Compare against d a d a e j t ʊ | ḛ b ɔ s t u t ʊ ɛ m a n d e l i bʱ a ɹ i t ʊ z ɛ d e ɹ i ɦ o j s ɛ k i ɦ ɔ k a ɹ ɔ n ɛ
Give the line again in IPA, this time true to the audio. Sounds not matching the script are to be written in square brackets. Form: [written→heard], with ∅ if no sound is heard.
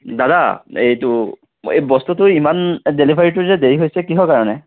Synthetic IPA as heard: d a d a e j t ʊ | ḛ b ɔ s t u t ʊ [ɛ→i] m a n d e l i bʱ a ɹ i t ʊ z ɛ d e ɹ i ɦ o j s ɛ k i ɦ ɔ k a ɹ ɔ n ɛ